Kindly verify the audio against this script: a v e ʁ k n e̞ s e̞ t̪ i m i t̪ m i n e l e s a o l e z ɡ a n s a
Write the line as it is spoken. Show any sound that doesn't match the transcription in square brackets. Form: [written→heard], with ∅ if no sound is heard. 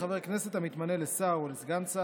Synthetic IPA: a v e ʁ k n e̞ s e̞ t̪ [i→a] m i t̪ m [i→a] n e l e s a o l e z ɡ a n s a